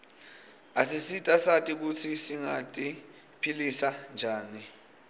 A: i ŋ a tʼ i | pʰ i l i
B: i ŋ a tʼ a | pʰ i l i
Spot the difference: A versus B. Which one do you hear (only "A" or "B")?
A